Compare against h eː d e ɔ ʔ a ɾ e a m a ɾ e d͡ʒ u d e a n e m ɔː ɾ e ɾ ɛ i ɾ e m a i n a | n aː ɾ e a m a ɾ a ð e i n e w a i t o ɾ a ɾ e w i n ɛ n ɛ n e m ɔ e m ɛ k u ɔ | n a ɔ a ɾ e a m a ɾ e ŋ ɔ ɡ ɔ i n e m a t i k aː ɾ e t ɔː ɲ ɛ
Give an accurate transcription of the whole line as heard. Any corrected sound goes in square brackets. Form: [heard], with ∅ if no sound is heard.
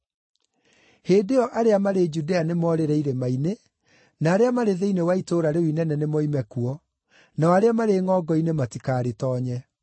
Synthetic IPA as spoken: h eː d e ɔ ʔ a ɾ e a m a ɾ e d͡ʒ u d e a n e m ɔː ɾ e ɾ ɛ i ɾ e m a i n [e] | n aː ɾ e a m a ɾ [e] ð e i n e w a i t o ɾ a ɾ e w i n ɛ n ɛ n e m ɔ [i] m ɛ k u ɔ | n a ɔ a ɾ e a m a ɾ e ŋ ɔ ɡ ɔ i n e m a t i k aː ɾ e t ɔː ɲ ɛ